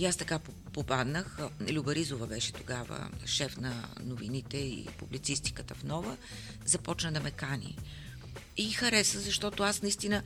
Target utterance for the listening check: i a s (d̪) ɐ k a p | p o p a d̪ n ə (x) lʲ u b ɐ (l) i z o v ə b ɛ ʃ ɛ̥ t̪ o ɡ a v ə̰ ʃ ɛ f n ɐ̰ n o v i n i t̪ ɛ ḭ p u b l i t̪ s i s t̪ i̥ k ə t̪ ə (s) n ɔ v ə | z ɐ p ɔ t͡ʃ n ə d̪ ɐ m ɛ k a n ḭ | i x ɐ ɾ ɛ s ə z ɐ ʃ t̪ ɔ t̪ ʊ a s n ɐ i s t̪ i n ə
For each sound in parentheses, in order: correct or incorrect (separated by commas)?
incorrect, correct, incorrect, incorrect